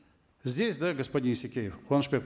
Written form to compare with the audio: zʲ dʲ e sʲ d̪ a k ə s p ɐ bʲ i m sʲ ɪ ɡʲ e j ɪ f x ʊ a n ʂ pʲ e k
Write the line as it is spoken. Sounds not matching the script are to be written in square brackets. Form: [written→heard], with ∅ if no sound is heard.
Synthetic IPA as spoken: zʲ dʲ e sʲ d̪ a [k→ɡ] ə s p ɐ [bʲ→dʲ] i [m→n] sʲ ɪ [ɡʲ→kʲ] e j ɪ f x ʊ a n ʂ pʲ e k